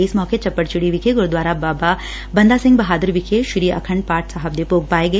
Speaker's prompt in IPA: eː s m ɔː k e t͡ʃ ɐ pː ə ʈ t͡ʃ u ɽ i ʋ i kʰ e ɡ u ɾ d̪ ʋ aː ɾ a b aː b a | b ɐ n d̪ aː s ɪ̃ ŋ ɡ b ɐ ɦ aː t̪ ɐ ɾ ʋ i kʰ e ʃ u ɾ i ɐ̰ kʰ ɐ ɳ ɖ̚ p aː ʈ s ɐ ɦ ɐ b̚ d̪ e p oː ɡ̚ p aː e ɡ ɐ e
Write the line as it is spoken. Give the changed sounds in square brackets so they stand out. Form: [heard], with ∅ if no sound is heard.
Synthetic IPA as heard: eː s m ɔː k e t͡ʃ ɐ pː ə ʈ t͡ʃ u ɽ i ʋ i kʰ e ɡ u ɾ d̪ ʋ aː ɾ a b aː b a | b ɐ n d̪ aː s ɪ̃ ŋ ɡ b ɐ ɦ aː [d̪] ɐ ɾ ʋ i kʰ e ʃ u ɾ i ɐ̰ kʰ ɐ ɳ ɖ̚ p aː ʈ s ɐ ɦ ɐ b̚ d̪ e p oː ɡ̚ p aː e ɡ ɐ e